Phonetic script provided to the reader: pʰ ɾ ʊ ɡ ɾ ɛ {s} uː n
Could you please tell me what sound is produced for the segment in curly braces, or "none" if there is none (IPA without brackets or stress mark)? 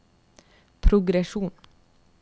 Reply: ʃ